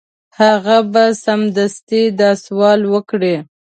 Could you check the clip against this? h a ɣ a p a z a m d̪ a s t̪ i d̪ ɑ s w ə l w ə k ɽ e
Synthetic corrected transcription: h a ɣ a b a s a m d̪ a s t̪ i d̪ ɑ s w ɑ l w ə k ɽ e

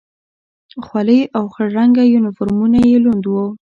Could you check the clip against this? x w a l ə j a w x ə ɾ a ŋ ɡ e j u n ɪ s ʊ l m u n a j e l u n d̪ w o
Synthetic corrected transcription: x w a l ə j a w x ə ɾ a ŋ ɡ a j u n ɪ f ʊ ɾ m u n a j e l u n d̪ w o

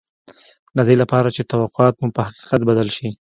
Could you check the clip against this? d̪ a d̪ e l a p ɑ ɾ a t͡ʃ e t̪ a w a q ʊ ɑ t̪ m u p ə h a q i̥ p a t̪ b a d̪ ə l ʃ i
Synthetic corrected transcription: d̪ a d̪ e l a p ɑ ɾ a t͡ʃ e t̪ a w a q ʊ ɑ t̪ m u p ə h a q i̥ q a t̪ b a d̪ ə l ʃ i

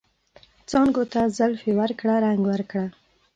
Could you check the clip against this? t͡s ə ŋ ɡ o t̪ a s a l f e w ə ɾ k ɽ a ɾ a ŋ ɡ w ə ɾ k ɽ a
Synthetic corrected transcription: t͡s ɑ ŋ ɡ o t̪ a z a l f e w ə ɾ k ɽ a ɾ a ŋ ɡ w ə ɾ k ɽ a

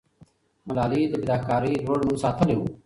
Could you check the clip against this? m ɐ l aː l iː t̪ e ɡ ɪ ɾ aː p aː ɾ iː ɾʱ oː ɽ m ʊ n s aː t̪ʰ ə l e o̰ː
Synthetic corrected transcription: m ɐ l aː l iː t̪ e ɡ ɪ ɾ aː k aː ɾ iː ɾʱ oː ɽ m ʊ n s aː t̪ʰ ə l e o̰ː

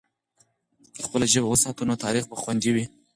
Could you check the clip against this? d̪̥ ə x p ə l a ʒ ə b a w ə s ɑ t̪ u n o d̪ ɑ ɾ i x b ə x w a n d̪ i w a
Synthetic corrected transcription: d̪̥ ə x p ə l a ʒ ə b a w ə s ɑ t̪ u n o t̪ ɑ ɾ i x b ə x w a n d̪ i w i

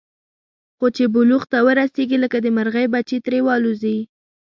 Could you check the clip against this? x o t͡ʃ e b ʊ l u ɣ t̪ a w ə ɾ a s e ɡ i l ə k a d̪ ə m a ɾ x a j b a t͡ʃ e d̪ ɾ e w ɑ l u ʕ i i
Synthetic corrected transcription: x o t͡ʃ e b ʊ l u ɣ t̪ a w ə ɾ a s e ɡ i l ə k a d̪ ə m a ɾ ɣ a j b a t͡ʃ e t̪ ɾ e w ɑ l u z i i

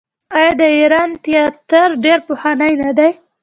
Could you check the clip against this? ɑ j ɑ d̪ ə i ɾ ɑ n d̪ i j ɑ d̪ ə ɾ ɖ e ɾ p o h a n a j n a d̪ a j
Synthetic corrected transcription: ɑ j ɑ d̪ ə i ɾ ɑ n t̪ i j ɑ t̪ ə ɾ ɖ e ɾ p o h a n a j n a d̪ a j

